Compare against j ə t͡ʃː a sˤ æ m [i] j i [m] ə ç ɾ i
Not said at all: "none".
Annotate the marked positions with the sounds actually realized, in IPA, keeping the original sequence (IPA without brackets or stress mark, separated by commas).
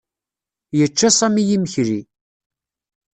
i, m